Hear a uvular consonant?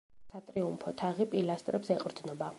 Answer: yes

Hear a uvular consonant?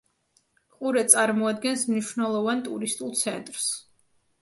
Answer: yes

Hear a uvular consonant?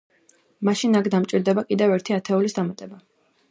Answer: no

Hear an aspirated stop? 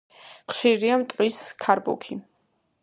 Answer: yes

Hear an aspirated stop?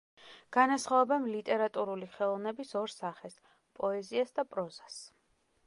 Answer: no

